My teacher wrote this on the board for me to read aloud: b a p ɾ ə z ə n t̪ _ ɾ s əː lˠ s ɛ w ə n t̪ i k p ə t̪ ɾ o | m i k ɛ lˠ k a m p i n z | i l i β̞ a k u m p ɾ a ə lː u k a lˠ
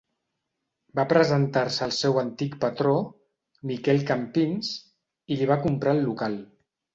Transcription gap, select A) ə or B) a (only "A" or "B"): B